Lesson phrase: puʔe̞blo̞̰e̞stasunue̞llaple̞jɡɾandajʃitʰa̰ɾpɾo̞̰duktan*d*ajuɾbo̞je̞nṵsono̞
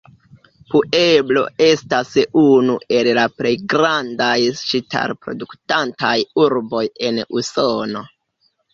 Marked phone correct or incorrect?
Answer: incorrect: t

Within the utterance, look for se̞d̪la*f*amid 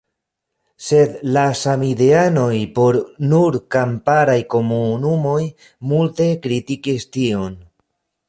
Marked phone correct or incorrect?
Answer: incorrect: s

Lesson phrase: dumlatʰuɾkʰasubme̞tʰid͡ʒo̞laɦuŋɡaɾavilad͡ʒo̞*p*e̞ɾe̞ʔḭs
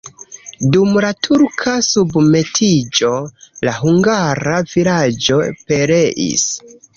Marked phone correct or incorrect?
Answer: correct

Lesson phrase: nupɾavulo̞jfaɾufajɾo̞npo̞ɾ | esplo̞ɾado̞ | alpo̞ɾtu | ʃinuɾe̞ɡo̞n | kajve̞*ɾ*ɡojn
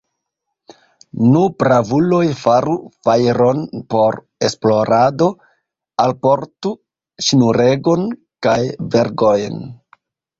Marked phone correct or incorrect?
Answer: correct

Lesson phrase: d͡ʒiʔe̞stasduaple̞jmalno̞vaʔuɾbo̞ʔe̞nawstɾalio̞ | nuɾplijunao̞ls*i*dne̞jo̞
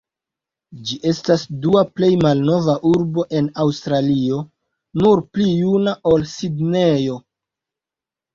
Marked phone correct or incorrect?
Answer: correct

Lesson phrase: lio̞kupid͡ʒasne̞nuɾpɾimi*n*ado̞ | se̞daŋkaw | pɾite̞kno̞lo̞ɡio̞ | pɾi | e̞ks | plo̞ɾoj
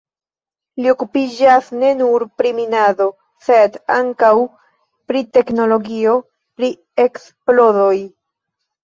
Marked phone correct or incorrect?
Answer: correct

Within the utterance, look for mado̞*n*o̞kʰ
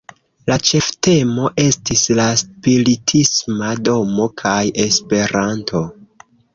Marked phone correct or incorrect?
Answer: incorrect: m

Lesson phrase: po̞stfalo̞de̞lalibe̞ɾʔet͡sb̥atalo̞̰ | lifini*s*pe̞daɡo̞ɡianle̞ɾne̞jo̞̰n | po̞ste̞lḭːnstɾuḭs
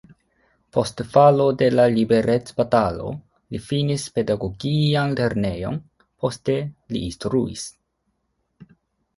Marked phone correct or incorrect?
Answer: correct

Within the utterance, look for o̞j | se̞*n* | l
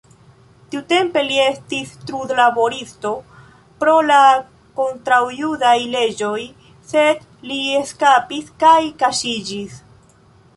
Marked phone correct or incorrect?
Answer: incorrect: d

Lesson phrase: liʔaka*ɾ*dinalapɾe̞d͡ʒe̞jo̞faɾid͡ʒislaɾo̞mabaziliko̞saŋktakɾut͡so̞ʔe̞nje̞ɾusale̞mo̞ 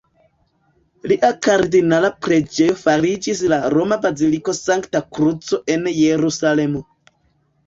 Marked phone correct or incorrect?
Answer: correct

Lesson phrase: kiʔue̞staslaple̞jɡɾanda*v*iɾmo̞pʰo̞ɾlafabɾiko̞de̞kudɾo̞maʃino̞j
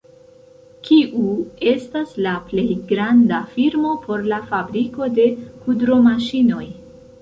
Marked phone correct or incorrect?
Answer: incorrect: f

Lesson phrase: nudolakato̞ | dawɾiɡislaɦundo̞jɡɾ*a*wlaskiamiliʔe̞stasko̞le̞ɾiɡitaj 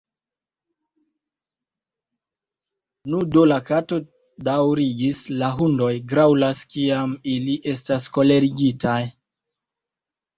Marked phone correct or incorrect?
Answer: correct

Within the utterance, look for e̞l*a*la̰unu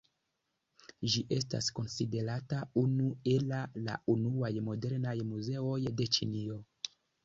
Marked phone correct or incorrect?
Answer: correct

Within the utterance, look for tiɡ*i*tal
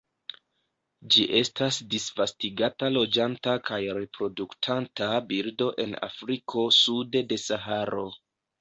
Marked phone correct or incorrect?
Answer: incorrect: a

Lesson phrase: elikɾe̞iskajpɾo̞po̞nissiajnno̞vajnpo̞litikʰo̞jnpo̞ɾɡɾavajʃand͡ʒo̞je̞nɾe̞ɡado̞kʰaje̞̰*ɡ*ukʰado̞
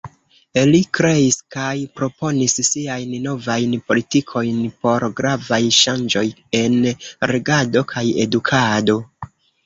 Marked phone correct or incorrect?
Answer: incorrect: d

